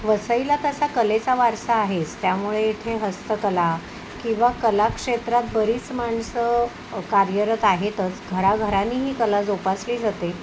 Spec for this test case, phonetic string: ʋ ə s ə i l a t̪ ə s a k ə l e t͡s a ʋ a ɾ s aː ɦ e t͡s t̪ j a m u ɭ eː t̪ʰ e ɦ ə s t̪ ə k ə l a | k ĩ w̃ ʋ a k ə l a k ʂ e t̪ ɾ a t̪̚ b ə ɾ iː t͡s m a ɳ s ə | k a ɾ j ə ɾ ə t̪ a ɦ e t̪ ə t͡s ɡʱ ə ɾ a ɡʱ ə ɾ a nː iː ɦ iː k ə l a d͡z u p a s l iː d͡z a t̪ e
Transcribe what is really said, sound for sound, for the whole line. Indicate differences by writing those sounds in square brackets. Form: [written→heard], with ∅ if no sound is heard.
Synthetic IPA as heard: ʋ ə s ə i l a t̪ ə s a k ə l e t͡s a ʋ a ɾ s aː ɦ e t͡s t̪ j a m u ɭ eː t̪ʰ e ɦ ə s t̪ ə k ə l a | k ĩ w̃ ʋ a k ə l a k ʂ e t̪ ɾ a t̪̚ b ə ɾ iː t͡s m a ɳ s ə | k a ɾ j ə ɾ ə t̪ a ɦ e t̪ ə t͡s ɡʱ ə ɾ a ɡʱ ə ɾ a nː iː ɦ iː k ə l a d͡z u p a s l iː d͡z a t̪ e

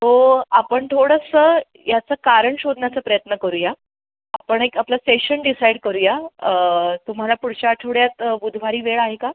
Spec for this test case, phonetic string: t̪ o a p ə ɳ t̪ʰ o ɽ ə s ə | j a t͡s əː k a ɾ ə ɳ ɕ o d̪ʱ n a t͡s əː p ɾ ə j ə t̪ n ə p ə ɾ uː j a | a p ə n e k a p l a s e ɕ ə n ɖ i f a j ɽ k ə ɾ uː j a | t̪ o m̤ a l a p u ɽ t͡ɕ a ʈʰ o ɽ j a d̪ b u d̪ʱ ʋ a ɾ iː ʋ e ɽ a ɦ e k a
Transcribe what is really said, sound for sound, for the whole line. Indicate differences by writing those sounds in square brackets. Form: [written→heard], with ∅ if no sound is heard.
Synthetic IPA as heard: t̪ o a p ə ɳ t̪ʰ o ɽ ə s ə | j a t͡s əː k a ɾ ə ɳ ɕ o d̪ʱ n a t͡s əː p ɾ ə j ə t̪ n ə [p→k] ə ɾ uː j a | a p ə [n→ɳ] e k a p l a s e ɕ ə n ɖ i [f→s] a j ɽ k ə ɾ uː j a | t̪ [o→u] m̤ a l a p u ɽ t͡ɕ a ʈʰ o ɽ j a [d̪→t̪] b u d̪ʱ ʋ a ɾ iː ʋ e [ɽ→ɭ] a ɦ e k a

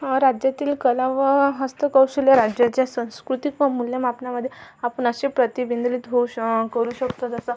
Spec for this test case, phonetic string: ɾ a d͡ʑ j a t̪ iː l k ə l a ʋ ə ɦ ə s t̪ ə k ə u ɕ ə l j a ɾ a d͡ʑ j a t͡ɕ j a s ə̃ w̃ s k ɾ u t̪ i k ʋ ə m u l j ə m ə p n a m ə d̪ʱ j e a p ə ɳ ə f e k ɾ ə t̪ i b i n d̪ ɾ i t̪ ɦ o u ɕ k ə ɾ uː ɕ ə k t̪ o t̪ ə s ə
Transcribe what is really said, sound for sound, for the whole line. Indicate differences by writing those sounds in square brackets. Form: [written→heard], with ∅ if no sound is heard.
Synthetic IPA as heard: ɾ a d͡ʑ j a t̪ iː l k ə l a ʋ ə ɦ ə s t̪ ə k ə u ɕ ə l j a ɾ a d͡ʑ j a t͡ɕ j a s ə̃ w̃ s k ɾ u t̪ i k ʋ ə m u l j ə m [ə→a] p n a m ə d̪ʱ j e a p ə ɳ ə [f→ɕ] e [k→p] ɾ ə t̪ i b i n d̪ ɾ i t̪ ɦ o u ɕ k ə ɾ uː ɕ ə k t̪ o t̪ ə s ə

